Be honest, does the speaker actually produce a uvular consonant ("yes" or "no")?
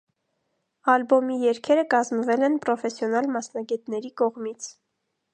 yes